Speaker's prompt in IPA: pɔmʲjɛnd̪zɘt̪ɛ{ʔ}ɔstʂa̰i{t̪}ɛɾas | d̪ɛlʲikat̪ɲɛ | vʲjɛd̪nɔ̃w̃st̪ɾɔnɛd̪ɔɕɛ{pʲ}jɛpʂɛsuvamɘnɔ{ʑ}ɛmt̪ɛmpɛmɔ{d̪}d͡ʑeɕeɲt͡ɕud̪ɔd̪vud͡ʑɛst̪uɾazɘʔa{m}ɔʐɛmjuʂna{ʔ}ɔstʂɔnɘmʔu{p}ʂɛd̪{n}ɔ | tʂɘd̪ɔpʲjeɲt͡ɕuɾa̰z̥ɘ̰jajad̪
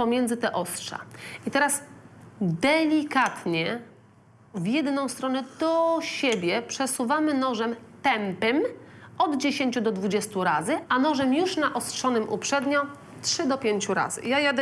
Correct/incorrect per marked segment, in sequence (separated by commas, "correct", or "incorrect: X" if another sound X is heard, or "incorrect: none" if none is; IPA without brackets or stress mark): correct, correct, incorrect: bʲ, incorrect: ʐ, correct, incorrect: n, correct, correct, incorrect: ɲ